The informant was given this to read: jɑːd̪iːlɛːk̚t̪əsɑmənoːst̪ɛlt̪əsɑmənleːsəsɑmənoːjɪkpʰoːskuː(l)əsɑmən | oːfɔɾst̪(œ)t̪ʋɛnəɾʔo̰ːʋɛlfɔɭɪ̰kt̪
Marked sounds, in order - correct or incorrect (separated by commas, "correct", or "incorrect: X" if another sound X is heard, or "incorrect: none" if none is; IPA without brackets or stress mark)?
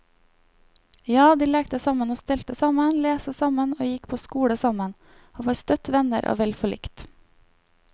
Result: incorrect: ɽ, correct